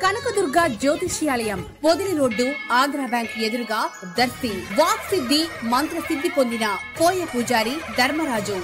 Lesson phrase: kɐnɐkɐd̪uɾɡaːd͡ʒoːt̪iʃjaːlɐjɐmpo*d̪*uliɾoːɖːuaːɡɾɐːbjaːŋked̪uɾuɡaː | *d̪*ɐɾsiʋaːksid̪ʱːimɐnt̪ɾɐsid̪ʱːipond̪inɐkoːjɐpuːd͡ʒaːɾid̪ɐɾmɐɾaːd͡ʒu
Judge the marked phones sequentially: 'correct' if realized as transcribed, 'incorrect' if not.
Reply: correct, correct

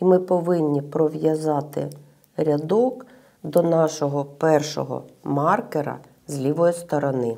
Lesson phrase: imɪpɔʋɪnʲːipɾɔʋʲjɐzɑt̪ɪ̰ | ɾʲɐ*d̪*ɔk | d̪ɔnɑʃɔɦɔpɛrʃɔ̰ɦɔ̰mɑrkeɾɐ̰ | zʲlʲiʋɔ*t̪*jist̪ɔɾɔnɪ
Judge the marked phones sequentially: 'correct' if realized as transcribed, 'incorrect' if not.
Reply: correct, incorrect

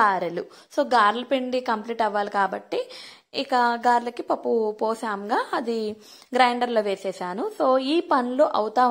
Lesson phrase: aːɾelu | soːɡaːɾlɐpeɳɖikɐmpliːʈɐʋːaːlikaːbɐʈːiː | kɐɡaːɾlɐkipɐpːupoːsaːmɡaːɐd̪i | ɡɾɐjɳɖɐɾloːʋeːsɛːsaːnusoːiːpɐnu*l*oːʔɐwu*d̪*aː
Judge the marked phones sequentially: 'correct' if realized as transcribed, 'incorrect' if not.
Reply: correct, incorrect

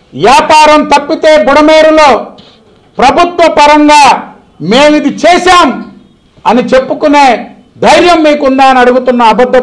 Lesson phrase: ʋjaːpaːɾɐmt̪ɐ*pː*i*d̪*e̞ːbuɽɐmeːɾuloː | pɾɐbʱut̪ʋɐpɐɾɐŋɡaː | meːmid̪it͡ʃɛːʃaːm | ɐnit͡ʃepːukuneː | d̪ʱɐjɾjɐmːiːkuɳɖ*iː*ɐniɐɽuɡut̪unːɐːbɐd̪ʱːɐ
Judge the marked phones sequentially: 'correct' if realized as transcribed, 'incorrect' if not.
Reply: correct, incorrect, incorrect

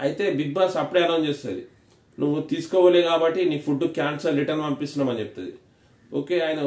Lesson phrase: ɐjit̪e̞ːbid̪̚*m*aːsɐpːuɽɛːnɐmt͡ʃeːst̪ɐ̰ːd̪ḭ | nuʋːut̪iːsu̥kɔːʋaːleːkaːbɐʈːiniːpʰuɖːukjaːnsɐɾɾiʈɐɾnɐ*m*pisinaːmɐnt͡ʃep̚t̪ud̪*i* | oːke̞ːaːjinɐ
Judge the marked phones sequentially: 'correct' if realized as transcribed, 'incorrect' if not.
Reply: incorrect, correct, correct

